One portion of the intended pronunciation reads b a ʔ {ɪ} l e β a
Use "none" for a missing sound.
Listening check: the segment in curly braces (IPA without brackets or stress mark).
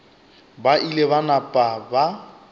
i